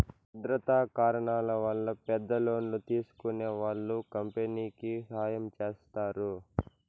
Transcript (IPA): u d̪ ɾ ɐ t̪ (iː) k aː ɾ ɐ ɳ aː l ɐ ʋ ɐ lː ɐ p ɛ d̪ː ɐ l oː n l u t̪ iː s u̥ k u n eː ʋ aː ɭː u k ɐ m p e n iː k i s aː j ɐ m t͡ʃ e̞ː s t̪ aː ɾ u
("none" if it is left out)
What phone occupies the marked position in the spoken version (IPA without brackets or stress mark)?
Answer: aː